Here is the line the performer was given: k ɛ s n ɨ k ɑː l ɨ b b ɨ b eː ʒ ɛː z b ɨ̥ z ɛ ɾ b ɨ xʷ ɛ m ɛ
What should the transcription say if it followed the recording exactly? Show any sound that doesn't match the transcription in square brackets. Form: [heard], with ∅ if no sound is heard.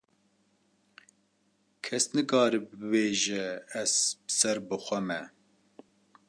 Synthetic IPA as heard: [kʰ] ɛ s n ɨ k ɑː [ɾ] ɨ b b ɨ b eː ʒ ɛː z b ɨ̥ [s] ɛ ɾ b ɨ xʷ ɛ m ɛ